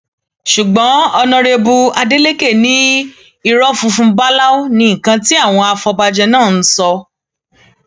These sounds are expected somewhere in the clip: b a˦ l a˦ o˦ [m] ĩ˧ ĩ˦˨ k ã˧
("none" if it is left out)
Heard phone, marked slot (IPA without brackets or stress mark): n